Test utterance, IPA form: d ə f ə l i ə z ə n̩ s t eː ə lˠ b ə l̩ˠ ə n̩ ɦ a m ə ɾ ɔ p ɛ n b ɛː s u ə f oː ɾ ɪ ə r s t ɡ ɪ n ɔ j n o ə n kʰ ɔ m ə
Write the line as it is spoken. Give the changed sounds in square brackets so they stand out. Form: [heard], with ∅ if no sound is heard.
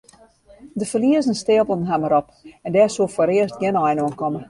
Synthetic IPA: d ə f ə l i ə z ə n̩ s t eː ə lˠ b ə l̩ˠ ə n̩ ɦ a m ə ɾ ɔ p ɛ n [d] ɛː s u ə f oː ɾ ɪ ə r s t ɡ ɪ n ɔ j n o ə n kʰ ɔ m ə